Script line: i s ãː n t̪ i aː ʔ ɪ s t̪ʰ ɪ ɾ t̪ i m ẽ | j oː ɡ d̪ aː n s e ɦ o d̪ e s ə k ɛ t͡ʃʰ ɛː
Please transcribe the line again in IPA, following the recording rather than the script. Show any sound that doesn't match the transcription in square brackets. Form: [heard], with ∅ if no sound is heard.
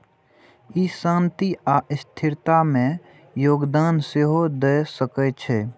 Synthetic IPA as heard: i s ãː n t̪ i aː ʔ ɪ s t̪ʰ ɪ ɾ t̪ [a] m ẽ | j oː ɡ d̪ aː n s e ɦ o d̪ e s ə k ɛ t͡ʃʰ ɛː